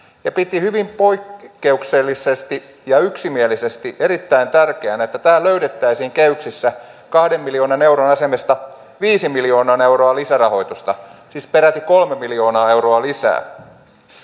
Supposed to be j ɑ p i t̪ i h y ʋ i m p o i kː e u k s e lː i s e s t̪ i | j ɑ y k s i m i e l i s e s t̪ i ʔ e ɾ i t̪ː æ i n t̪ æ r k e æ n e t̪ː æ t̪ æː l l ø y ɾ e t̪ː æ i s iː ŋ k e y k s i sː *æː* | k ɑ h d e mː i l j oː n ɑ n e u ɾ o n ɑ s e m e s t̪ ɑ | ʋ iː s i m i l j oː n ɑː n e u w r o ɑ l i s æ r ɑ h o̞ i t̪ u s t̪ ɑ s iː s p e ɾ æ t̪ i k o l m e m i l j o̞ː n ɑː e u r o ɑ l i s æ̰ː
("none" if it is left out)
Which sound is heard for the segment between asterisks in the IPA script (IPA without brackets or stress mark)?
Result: æ